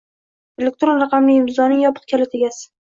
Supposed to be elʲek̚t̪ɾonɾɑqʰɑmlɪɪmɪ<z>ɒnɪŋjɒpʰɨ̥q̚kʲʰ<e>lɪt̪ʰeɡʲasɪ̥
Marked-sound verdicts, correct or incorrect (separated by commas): correct, incorrect